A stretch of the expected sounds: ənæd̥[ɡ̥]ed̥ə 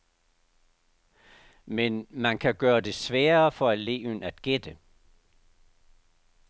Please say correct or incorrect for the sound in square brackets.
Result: correct